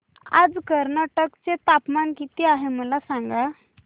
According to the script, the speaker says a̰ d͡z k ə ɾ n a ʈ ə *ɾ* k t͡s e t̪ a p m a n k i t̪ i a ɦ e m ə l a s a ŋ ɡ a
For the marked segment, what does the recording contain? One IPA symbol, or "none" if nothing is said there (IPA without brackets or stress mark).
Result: none